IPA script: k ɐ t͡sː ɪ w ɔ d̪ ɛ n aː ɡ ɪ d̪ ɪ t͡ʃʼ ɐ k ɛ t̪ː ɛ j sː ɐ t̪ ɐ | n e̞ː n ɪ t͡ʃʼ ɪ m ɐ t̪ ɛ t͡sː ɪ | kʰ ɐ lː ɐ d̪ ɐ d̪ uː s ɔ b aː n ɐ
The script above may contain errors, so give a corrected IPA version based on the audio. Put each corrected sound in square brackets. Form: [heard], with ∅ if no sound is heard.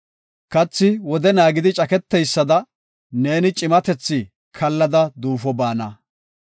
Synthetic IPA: k ɐ t͡sː ɪ w ɔ d̪ ɛ n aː ɡ ɪ d̪ ɪ t͡ʃʼ ɐ k ɛ t̪ː ɛ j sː ɐ [d̪] ɐ | n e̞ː n ɪ t͡ʃʼ ɪ m ɐ t̪ ɛ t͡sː ɪ | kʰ ɐ lː ɐ d̪ ɐ d̪ uː [f] ɔ b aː n ɐ